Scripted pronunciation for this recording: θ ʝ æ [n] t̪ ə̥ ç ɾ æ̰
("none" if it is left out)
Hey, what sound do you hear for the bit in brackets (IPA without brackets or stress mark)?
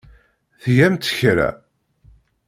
m